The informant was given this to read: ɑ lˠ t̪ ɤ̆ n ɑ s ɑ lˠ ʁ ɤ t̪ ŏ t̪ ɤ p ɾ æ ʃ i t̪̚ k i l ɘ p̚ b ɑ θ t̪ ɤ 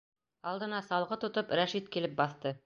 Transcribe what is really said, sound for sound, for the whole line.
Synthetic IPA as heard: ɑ lˠ d̪ ɤ̆ n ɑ s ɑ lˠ ʁ ɤ t̪ ŏ t̪ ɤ p ɾ æ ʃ i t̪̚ k i l ɘ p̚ b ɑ θ t̪ ɤ

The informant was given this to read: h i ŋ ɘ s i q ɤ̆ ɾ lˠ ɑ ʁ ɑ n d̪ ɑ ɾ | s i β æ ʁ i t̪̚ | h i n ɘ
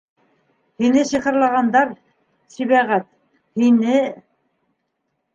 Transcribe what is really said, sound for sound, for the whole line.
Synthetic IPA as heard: h i n ɘ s i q ɤ̆ ɾ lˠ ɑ ʁ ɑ n d̪ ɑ ɾ | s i β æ ʁ æ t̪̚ | h i n ɘ

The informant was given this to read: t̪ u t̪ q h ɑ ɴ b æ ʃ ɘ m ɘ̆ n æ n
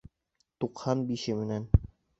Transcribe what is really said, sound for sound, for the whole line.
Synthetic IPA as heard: t̪ u q h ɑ n b i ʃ ɘ m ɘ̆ n æ n

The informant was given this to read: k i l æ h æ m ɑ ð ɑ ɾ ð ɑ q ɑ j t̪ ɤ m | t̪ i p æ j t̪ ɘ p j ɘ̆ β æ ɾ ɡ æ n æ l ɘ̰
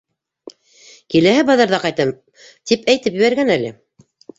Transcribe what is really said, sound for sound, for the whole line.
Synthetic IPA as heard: k i l æ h æ b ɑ ð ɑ ɾ ð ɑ q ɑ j t̪ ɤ m | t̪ i p æ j t̪ ɘ p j ɘ̆ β æ ɾ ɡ æ n æ l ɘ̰

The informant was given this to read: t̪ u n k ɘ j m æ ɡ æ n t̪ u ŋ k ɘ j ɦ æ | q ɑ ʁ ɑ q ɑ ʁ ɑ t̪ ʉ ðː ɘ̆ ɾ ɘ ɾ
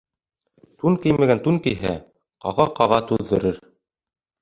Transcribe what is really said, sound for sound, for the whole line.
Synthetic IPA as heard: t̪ u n k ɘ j m æ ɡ æ n t̪ u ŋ k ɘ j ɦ æ | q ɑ ʁ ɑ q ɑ ʁ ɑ t̪ ʉ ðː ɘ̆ ɾ ɘ ɾ

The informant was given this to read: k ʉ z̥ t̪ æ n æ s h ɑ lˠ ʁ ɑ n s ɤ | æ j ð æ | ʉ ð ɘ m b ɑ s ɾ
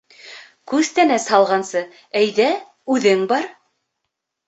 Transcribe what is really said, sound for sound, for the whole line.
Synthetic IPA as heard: k ʉ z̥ t̪ æ n æ s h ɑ lˠ ʁ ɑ n s ɤ | æ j ð æ | ʉ ð ɘ ŋ b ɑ ɾ

